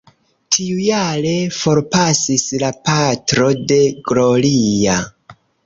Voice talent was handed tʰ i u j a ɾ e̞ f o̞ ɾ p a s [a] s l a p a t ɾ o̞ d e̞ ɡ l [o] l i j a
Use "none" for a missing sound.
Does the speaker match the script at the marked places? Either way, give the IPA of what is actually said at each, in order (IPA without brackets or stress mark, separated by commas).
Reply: i, o